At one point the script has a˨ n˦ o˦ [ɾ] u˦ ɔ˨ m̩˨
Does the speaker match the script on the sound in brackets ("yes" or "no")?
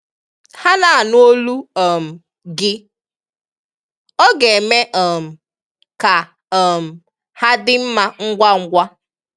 no